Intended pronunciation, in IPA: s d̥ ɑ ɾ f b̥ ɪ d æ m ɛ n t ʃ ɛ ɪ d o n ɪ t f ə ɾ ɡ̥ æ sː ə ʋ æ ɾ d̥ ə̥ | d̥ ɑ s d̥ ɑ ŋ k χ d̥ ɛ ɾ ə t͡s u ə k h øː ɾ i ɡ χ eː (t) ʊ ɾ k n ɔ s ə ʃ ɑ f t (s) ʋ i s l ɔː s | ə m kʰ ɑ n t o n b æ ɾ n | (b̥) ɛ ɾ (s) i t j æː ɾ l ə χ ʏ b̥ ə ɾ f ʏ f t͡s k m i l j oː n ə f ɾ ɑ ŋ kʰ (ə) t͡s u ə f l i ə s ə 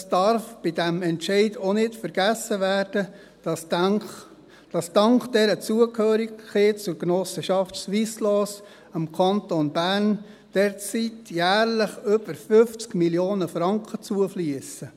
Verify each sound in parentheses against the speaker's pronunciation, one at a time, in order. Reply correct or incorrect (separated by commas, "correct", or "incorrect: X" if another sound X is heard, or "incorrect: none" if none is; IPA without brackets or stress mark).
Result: incorrect: t͡s, correct, incorrect: d̥, incorrect: t͡s, correct